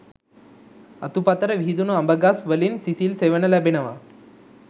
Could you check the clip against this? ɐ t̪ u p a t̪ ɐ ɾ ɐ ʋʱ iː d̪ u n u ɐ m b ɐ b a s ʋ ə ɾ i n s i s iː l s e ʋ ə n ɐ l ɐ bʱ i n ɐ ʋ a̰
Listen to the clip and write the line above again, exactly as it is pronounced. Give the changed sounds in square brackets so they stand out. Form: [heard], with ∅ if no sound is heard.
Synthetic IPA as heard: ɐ t̪ u p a t̪ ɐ ɾ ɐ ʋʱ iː d̪ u n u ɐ m b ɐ [ɡ] a s ʋ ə [l] i n s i s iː l s e ʋ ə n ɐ l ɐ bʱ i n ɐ ʋ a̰